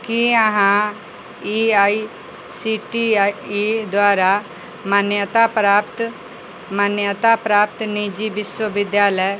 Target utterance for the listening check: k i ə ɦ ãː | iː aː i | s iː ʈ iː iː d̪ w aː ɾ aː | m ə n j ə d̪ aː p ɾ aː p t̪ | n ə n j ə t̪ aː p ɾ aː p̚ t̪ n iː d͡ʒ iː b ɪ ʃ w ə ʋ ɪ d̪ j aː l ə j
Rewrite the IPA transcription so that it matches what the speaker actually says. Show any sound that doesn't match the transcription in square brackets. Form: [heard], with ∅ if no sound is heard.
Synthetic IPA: k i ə ɦ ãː | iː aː i | s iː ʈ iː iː d̪ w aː ɾ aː | m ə n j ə [t̪] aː p ɾ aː p t̪ | [m] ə n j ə t̪ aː p ɾ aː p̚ t̪ n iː d͡ʒ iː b ɪ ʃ w ə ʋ ɪ d̪ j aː l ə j